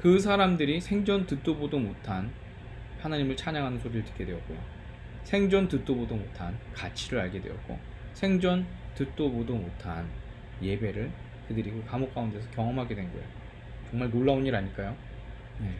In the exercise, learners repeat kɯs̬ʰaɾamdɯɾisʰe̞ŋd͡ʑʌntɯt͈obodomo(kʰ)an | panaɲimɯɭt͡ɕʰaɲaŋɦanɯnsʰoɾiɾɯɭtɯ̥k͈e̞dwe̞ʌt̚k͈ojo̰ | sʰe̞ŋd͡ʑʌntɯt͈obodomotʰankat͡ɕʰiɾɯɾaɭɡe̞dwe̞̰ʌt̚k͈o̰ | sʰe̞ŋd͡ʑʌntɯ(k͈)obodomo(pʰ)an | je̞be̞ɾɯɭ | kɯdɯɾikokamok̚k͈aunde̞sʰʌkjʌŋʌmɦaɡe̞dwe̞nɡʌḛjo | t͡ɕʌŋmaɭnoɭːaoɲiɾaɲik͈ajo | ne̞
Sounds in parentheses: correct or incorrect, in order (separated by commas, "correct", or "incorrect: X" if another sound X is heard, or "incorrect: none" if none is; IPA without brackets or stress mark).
incorrect: tʰ, incorrect: t͈, incorrect: tʰ